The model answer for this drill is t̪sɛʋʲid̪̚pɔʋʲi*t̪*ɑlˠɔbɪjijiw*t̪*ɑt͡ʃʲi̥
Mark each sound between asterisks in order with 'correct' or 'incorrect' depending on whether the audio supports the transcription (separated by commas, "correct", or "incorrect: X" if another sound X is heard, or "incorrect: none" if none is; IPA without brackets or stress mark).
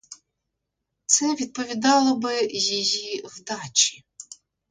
incorrect: d̪, incorrect: d̪